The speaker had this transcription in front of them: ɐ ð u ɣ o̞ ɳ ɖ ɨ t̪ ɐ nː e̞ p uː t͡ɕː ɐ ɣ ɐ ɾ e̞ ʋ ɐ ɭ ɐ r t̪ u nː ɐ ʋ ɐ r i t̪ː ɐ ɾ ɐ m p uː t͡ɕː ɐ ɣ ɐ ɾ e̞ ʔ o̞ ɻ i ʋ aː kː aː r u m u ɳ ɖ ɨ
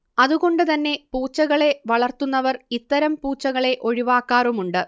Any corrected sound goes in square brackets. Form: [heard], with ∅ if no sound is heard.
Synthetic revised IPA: ɐ ð u ɣ o̞ ɳ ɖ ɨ t̪ ɐ nː e̞ p uː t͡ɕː ɐ ɣ ɐ [ɭ] e̞ ʋ ɐ ɭ ɐ r t̪ u nː ɐ ʋ ɐ r i t̪ː ɐ ɾ ɐ m p uː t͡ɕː ɐ ɣ ɐ [ɭ] e̞ ʔ o̞ ɻ i ʋ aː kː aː r u m u ɳ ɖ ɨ